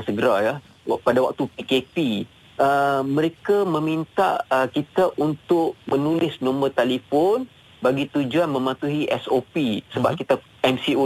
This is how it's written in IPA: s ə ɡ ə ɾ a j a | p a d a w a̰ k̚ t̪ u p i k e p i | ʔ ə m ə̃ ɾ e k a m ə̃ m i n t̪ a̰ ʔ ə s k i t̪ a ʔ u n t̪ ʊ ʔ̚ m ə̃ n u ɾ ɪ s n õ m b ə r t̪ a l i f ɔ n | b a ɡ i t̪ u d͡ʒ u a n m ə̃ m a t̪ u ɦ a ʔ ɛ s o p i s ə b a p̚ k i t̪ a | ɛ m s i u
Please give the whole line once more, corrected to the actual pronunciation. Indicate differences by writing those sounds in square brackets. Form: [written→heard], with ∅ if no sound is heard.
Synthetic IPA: s ə ɡ ə ɾ a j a | p a d a w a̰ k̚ t̪ u p i k e p i | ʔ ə m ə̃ ɾ e k a m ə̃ m i n t̪ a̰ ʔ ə [s→∅] k i t̪ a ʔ u n t̪ ʊ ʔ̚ m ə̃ n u [ɾ→l] ɪ s n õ m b ə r t̪ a l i f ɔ n | b a ɡ i t̪ u d͡ʒ u a n m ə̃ m a t̪ u ɦ [a→i] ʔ ɛ s o p i s ə b a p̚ k i t̪ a | ɛ m s i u